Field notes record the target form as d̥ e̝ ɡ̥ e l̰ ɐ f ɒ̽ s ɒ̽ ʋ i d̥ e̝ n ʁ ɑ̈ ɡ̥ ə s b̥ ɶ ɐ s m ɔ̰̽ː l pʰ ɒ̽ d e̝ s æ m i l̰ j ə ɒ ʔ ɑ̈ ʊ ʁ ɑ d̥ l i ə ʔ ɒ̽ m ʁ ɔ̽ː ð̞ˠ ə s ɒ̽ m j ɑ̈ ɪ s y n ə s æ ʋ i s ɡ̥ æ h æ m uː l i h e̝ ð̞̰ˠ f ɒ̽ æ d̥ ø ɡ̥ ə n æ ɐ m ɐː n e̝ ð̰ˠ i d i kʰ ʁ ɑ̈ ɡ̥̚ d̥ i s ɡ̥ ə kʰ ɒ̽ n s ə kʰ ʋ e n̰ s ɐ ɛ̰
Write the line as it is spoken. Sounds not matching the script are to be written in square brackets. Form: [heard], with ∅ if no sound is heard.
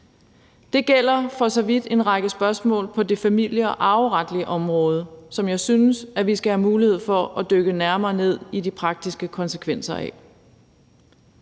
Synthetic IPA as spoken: d̥ e̝ ɡ̥ e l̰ ɐ f ɒ̽ s ɒ̽ ʋ i d̥ e̝ n ʁ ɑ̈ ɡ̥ ə s b̥ ɶ ɐ s m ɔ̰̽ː l pʰ ɒ̽ d e̝ [f] æ m i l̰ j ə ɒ ʔ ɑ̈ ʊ ʁ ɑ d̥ l i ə ʔ ɒ̽ m ʁ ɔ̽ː ð̞ˠ ə s ɒ̽ m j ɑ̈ ɪ s y n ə s æ ʋ i s ɡ̥ æ h æ m uː l i h e̝ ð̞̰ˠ f ɒ̽ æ d̥ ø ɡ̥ ə n æ ɐ m ɐː n e̝ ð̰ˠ i d i [pʰ] ʁ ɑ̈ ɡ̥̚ d̥ i s ɡ̥ ə kʰ ɒ̽ n s ə kʰ ʋ e n̰ s ɐ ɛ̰